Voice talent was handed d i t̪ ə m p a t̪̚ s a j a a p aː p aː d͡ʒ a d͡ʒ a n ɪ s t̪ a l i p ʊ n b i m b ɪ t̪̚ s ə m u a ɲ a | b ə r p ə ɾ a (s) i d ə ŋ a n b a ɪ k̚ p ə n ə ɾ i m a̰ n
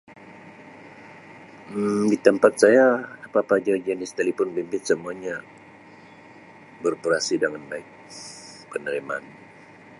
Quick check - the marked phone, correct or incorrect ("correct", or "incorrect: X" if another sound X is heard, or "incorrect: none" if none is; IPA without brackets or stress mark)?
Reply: correct